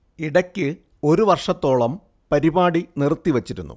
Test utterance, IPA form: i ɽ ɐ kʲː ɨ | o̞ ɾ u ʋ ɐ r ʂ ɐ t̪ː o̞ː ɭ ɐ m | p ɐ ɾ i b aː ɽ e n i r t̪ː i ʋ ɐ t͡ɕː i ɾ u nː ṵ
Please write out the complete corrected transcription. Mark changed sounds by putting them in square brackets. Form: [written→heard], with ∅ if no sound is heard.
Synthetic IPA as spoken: i ɽ ɐ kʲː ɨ | o̞ ɾ u ʋ ɐ r ʂ ɐ t̪ː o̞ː ɭ ɐ m | p ɐ ɾ i b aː ɽ [e→i] n i r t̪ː i ʋ ɐ t͡ɕː i ɾ u nː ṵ